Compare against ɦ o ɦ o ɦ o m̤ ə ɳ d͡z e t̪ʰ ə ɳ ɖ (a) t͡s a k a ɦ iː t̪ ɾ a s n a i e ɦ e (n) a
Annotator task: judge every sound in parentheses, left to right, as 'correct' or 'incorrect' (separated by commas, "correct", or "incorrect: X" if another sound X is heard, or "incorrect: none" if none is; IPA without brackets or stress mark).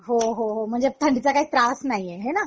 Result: incorrect: i, correct